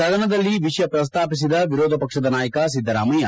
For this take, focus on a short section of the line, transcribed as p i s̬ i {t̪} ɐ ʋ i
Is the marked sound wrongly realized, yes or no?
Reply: yes